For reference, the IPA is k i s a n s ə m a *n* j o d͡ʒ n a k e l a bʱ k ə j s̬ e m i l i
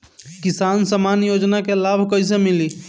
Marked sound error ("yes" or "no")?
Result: no